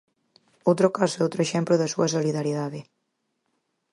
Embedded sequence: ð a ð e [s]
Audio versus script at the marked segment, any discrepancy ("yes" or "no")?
yes